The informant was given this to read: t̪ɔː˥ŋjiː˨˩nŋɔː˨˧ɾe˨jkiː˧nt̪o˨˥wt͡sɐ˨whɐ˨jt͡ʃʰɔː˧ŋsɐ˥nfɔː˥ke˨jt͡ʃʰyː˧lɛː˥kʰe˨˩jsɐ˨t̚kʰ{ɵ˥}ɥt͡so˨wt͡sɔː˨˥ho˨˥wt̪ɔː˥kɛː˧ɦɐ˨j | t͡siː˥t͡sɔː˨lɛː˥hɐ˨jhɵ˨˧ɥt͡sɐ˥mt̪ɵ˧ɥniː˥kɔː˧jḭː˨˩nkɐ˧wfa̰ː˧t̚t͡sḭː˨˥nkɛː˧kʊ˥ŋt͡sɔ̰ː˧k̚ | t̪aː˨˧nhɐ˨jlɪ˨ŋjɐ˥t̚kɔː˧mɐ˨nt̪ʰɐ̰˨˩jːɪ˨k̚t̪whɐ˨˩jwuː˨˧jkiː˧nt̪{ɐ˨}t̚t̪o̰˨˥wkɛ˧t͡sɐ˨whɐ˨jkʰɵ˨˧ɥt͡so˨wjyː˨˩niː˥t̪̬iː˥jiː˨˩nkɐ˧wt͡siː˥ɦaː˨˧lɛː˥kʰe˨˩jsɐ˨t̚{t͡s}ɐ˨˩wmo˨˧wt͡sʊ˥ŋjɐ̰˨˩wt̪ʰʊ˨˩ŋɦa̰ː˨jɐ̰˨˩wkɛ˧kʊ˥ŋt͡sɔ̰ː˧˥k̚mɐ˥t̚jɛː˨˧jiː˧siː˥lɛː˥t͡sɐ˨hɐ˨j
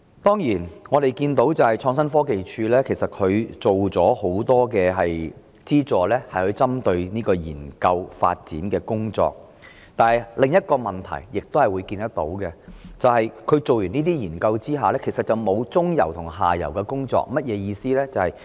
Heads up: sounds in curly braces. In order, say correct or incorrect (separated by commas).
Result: incorrect, incorrect, correct